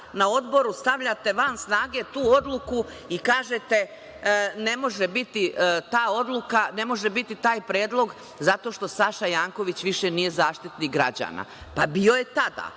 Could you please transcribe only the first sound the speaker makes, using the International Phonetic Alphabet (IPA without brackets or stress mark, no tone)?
n